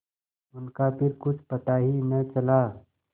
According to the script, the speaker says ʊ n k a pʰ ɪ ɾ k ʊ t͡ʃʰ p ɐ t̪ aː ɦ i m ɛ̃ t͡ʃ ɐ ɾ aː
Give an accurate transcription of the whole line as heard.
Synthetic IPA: ʊ n k a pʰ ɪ ɾ k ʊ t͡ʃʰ p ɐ t̪ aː ɦ i m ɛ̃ t͡ʃ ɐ l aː